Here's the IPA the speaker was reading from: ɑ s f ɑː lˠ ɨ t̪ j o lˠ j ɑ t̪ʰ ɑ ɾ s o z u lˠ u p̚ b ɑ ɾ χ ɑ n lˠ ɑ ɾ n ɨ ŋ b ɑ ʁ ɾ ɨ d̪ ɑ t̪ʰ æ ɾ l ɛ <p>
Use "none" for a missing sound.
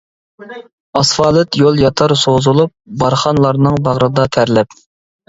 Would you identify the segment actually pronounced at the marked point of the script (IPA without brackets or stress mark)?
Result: p